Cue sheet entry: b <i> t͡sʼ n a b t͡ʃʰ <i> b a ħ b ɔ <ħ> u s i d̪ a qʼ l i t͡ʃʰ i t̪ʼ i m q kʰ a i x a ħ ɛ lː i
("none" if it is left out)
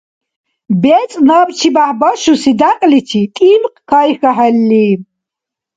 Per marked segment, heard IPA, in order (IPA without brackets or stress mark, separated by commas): ɛ, i, ʃ